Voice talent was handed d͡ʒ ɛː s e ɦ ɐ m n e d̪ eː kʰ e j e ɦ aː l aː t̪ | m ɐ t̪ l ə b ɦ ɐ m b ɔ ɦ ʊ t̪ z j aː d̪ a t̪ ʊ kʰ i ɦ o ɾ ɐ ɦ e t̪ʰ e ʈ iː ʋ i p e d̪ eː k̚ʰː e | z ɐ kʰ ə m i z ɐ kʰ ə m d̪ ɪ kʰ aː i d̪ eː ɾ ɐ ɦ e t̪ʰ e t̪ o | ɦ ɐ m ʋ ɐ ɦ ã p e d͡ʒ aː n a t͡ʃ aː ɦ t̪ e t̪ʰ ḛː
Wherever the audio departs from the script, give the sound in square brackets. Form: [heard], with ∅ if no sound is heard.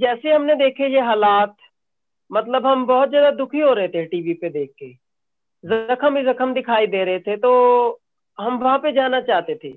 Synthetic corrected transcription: d͡ʒ ɛː s e ɦ ɐ m n e d̪ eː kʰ e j e ɦ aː l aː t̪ | m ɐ t̪ l ə b ɦ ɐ m b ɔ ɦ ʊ t̪ z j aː d̪ a [d̪] ʊ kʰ i ɦ o ɾ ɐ ɦ e t̪ʰ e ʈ iː ʋ i p e d̪ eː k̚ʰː e | z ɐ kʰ ə m i z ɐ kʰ ə m d̪ ɪ kʰ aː i d̪ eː ɾ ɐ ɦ e t̪ʰ e t̪ o | ɦ ɐ m ʋ ɐ ɦ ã p e d͡ʒ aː n a t͡ʃ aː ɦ t̪ e t̪ʰ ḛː